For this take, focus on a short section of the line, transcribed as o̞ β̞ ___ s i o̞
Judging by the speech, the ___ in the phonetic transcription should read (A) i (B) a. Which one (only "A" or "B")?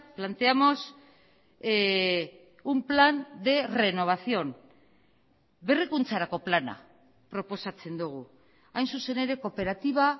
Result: B